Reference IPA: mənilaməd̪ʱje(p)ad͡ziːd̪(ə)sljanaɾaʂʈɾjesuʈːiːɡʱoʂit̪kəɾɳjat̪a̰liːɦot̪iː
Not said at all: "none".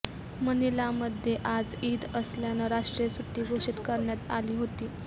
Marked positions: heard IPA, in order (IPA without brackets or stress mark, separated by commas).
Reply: ʔ, ə